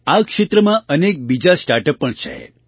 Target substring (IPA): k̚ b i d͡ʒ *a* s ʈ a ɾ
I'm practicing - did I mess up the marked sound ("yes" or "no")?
no